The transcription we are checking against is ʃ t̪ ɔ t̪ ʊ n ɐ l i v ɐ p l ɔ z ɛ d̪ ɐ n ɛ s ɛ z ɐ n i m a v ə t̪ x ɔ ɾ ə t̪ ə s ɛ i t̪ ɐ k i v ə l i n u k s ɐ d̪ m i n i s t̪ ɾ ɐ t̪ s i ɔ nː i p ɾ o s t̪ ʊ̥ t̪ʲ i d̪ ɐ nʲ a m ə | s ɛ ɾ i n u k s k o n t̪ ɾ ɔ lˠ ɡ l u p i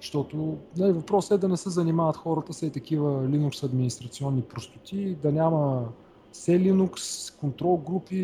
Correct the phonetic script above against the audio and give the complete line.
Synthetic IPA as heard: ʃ t̪ ɔ t̪ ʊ n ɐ l i v ɐ p ɾ ɔ s ɛ d̪ ɐ n ɛ s ɛ z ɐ n i m a v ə t̪ x ɔ ɾ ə t̪ ə s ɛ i t̪ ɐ k i v ə l i n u k s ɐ d̪ m i n i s t̪ ɾ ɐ t̪ s i ɔ nː i p ɾ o s t̪ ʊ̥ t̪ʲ i d̪ ɐ nʲ a m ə | s ɛ l i n u k s k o n t̪ ɾ ɔ lˠ ɡ ɾ u p i